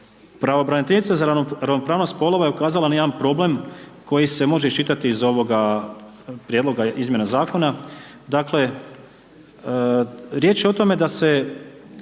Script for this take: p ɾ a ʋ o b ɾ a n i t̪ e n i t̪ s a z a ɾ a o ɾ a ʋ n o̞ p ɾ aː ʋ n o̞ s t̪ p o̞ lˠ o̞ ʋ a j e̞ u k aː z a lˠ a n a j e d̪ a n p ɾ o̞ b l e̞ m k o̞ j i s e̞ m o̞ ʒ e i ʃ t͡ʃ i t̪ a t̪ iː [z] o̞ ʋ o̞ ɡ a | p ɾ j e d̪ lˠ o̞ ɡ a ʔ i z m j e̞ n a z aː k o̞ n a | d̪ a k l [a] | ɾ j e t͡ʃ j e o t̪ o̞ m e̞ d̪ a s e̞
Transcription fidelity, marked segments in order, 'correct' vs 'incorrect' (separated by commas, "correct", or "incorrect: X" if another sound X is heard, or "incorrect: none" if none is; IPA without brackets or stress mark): correct, incorrect: e